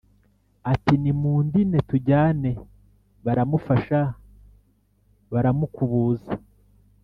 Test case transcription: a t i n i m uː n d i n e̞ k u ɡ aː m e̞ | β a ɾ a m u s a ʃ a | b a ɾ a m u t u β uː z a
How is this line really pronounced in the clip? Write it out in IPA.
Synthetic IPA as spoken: a t i n i m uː n d i n e̞ t u ɟ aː n e̞ | β a ɾ a m u f a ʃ a | β a ɾ a m u k u β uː z a

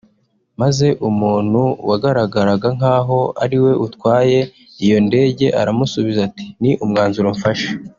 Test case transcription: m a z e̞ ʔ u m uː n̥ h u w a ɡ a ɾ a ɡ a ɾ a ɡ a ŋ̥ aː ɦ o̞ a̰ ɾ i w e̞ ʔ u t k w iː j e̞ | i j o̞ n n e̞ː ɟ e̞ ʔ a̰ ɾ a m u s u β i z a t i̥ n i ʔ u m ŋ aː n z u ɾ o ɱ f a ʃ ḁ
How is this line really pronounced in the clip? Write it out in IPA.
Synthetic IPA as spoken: m a z e̞ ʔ u m uː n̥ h u w a ɡ a ɾ a ɡ a ɾ a ɡ a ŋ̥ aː ɦ o̞ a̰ ɾ i w e̞ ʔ u t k w aː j e̞ | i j o̞ n d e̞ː ɟ e̞ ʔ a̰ ɾ a m u s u β i z a t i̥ n i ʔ u m ŋ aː n z u ɾ o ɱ f a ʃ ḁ

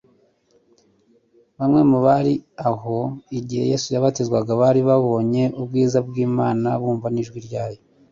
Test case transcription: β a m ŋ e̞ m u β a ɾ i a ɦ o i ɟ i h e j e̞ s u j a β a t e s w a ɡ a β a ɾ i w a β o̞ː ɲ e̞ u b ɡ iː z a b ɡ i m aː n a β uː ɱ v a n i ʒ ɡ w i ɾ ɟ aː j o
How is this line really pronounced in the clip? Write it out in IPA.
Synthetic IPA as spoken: β a m ŋ e̞ m u β a ɾ i a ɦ o i ɟ i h e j e̞ s u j a β a t e z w a ɡ a β a ɾ i β a β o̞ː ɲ e̞ u b ɡ iː z a b ɡ iː m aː n a β uː ɱ v a n i ʒ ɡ w i ɾ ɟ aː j o

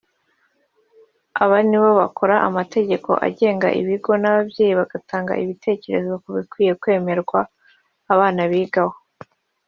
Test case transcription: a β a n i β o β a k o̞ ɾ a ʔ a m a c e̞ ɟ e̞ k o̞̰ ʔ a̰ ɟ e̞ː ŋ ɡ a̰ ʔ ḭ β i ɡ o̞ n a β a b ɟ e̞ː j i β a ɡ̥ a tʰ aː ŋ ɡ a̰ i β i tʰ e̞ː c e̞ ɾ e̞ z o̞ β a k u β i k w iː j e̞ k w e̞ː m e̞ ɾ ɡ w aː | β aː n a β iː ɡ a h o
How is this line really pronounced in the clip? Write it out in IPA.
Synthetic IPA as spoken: a β a n i β o β a k o̞ ɾ a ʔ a m a t e̞ ɟ e̞ k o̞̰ ʔ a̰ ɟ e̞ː ŋ ɡ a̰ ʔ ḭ β i ɡ o̞ n a β a b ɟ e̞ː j i β a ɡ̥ a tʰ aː ŋ ɡ a̰ i β i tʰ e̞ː c e̞ ɾ e̞ z o̞ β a k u β i k w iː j e̞ k w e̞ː m e̞ ɾ ɡ w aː | β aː n a β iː ɡ a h o

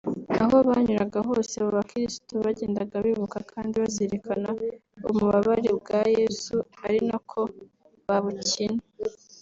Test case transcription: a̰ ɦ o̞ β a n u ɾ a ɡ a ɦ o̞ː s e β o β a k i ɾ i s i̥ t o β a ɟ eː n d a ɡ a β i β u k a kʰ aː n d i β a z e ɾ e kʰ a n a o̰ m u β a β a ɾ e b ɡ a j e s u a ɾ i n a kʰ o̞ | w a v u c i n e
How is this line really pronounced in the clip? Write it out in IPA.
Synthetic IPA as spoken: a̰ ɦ o̞ β a ɲ u ɾ a ɡ a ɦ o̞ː s e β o β a k i ɾ i s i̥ t o β a ɟ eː n d a ɡ a β i β u k a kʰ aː n d i β a z e ɾ e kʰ a n a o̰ m u β a β a ɾ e b ɡ a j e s u a ɾ i n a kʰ o̞ | β a β u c i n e

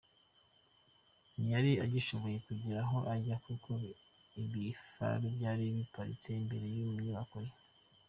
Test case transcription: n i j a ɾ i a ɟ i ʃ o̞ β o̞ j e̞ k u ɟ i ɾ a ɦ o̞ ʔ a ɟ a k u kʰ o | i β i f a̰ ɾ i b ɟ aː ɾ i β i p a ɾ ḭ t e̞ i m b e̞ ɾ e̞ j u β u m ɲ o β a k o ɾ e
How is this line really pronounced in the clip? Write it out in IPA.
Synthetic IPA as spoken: n i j a ɾ i a ɟ i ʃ o̞ β o̞ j e̞ k u ɟ i ɾ a ɦ o̞ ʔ a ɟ a k u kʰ o | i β i f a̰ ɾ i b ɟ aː ɾ i β i p a ɾ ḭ t͡s e̞ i m b e̞ ɾ e̞ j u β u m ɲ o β a k o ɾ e

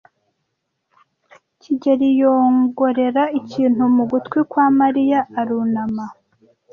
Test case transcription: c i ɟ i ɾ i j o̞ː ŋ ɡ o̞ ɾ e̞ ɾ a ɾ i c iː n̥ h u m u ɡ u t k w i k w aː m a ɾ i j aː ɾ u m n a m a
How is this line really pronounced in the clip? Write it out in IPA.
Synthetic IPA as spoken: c i ɟ e ɾ i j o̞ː ŋ ɡ o̞ ɾ e̞ ɾ a i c iː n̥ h u m u ɡ u t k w i k w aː m a ɾ i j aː ɾ u n a m a

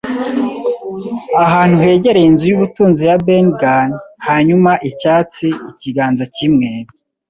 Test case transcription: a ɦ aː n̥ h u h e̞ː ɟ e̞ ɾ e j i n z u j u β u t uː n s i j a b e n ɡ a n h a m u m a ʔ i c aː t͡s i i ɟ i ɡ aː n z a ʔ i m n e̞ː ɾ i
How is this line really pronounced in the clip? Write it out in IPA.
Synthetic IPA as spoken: a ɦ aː n̥ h u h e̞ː ɟ e̞ ɾ e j i n z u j u β u t uː n z i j a b e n ɡ a n h a ɲ u m a ʔ i c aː t͡s i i c i ɡ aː n z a c i m ŋ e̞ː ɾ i

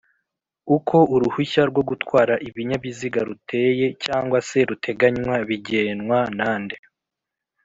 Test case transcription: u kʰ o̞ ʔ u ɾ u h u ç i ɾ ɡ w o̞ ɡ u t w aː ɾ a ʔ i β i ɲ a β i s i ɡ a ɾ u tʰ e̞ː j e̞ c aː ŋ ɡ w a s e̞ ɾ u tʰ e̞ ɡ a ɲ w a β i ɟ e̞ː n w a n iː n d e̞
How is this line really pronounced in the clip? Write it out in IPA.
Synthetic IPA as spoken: u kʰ o̞ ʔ u ɾ u h u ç a ɾ ɡ w o̞ ɡ u t w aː ɾ a ʔ i β i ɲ a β i z i ɡ a ɾ u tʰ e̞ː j e̞ c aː ŋ ɡ w a s e̞ ɾ u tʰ e̞ ɡ a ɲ w a β i ɟ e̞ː n w a n aː n d e̞

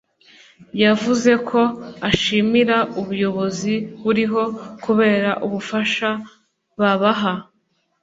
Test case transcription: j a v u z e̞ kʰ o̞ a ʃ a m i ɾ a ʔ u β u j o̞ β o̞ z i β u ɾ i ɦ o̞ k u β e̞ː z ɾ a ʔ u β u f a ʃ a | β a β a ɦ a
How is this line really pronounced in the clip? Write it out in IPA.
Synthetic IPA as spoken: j a v u z e̞ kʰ o̞ a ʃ i m i ɾ a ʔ u β u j o̞ β o̞ z i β u ɾ i ɦ o̞ k u β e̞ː ɾ a ʔ u β u f a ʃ a | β a β a ɦ a

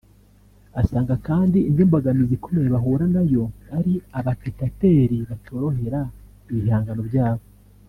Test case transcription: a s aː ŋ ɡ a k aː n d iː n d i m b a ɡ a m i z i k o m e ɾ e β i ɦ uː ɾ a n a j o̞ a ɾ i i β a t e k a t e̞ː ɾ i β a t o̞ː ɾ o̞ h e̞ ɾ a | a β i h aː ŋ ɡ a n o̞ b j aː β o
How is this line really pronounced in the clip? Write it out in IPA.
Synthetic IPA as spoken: a s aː ŋ ɡ a k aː n d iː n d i m b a ɡ a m i z i k o m e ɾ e β a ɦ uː ɾ a n a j o̞ a ɾ i a β a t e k a t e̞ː ɾ i β a t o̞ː ɾ o̞ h e̞ ɾ a | i β i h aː ŋ ɡ a n o̞ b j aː β o

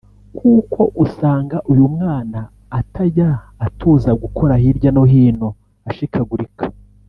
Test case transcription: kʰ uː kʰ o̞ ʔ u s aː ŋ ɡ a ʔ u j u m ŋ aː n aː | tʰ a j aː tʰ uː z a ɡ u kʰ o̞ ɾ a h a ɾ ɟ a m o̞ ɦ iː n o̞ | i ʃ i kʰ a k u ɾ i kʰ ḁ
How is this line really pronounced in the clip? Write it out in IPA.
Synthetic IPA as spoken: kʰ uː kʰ o̞ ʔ u s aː ŋ ɡ a ʔ u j u m ŋ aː n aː | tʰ a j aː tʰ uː z a ɡ u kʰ o̞ ɾ a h i ɾ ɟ a n o̞ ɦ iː n o̞ | a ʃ i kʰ a ɡ u ɾ i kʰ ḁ

